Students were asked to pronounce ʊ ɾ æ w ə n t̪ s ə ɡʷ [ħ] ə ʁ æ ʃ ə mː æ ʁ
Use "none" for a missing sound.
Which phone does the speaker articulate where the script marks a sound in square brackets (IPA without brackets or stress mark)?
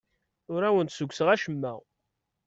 s